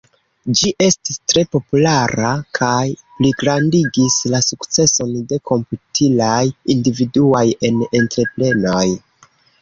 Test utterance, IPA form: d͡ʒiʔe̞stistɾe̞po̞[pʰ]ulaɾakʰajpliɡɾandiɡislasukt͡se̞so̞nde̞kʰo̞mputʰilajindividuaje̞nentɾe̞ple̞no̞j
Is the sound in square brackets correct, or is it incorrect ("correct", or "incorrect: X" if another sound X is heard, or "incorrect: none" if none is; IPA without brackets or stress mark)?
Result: incorrect: p